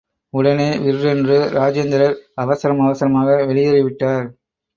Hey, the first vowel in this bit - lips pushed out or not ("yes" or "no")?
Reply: yes